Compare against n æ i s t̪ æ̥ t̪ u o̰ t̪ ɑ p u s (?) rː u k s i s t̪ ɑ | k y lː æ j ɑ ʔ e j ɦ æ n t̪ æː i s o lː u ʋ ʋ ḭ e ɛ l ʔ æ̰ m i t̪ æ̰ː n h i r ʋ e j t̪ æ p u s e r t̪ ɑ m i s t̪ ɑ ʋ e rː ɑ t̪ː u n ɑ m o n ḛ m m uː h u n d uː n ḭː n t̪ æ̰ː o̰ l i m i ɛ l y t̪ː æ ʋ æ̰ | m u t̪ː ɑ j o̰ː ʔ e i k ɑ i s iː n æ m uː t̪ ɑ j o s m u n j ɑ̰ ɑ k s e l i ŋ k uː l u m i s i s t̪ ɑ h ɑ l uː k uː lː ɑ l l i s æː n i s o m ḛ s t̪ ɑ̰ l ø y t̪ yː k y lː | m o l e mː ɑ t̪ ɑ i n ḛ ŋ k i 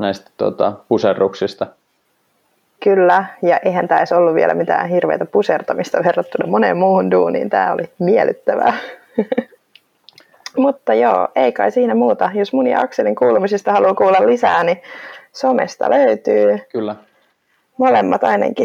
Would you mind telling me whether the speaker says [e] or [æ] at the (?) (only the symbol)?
e